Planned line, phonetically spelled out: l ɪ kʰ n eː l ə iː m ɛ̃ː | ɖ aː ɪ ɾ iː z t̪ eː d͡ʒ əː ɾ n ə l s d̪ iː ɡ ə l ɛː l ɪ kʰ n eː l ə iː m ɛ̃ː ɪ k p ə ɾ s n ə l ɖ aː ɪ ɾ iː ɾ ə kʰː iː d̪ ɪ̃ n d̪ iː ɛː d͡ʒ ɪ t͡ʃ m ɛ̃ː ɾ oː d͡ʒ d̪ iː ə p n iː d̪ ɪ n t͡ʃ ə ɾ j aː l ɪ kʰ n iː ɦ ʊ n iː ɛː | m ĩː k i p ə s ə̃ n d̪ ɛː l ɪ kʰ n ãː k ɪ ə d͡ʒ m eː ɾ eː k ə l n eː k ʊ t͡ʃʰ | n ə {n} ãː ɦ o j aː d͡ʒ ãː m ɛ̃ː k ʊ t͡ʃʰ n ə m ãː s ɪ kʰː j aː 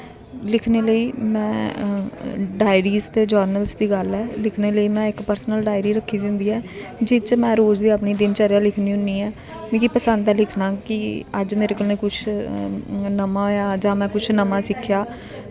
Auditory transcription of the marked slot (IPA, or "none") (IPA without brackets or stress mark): m